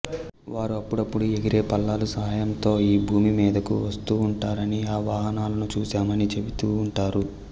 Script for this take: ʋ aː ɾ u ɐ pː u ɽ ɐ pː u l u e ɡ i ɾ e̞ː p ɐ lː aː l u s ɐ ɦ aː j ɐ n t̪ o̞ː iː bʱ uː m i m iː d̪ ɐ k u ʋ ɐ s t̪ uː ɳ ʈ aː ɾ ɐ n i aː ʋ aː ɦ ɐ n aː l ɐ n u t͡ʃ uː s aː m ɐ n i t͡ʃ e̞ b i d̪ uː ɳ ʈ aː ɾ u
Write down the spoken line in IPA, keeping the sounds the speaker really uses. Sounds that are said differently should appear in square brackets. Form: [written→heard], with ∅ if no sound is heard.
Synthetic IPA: ʋ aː ɾ u ɐ pː u ɽ ɐ pː u [l→ɽ] u e ɡ i ɾ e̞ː p ɐ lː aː l u s ɐ ɦ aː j ɐ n t̪ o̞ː iː bʱ uː m i m iː d̪ ɐ k u ʋ ɐ s t̪ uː ɳ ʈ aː ɾ ɐ n i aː ʋ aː ɦ ɐ n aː l ɐ n u t͡ʃ uː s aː m ɐ n i t͡ʃ e̞ b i [d̪→t̪] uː ɳ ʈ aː ɾ u